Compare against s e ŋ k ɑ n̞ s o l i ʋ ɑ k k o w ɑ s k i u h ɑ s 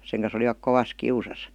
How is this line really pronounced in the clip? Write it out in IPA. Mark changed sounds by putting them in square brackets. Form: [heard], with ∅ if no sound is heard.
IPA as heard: s e ŋ k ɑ n̞ s o l i ʋ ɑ k k o [ʋ] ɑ s k i u [s] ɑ s